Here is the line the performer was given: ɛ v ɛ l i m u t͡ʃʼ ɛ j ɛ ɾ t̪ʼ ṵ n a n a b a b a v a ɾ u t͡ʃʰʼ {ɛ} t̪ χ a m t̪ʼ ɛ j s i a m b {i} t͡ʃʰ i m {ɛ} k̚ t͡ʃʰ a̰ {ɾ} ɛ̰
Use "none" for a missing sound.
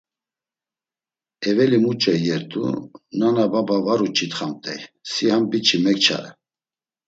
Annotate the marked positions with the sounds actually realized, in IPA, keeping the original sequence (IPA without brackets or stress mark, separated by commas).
i, i, ɛ, ɾ